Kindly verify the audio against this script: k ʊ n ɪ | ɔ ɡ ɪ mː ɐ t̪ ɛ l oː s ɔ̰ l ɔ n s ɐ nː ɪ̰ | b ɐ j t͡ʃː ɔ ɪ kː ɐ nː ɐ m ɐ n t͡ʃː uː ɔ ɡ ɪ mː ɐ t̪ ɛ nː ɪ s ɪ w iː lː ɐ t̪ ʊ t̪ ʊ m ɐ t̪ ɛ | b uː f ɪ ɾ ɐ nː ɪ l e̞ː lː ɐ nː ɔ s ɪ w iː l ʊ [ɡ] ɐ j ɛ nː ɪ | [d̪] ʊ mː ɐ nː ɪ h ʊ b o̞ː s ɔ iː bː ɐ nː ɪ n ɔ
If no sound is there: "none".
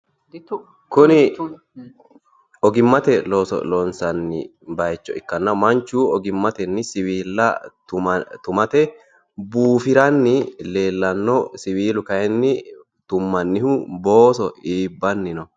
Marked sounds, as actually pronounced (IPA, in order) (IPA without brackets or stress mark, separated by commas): k, t̪